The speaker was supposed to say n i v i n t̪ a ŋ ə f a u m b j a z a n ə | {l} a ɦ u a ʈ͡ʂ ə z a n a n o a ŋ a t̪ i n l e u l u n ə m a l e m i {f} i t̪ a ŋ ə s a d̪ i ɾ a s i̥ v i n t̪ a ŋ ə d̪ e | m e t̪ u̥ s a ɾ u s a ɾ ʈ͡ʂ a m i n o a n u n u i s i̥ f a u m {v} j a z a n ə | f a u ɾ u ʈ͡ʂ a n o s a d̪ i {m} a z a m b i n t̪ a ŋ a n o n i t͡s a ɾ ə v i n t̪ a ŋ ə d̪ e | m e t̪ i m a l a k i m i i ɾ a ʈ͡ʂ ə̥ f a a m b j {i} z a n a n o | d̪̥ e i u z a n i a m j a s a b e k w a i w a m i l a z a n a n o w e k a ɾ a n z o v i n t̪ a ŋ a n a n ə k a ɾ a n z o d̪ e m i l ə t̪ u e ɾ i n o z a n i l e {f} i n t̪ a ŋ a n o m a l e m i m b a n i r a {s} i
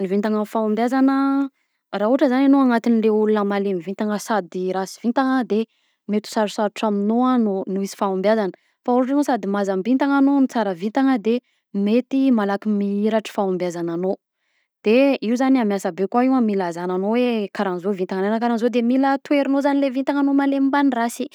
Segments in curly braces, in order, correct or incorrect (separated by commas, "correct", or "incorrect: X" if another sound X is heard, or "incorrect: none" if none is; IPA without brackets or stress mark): incorrect: r, incorrect: v, incorrect: b, correct, incorrect: a, incorrect: v, correct